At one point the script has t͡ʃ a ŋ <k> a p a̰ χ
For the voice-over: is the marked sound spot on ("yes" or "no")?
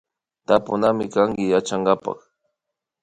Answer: no